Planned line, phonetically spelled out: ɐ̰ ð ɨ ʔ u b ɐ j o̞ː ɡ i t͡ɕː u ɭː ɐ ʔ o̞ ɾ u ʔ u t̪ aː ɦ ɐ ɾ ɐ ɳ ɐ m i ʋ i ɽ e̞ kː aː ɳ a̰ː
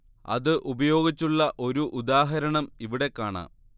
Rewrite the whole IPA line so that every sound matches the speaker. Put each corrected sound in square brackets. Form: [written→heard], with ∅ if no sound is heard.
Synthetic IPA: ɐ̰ ð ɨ ʔ u b ɐ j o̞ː ɡ i t͡ɕː u ɭː ɐ ʔ o̞ ɾ u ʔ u [t̪→d̪] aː ɦ ɐ ɾ ɐ ɳ ɐ m i ʋ i ɽ e̞ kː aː ɳ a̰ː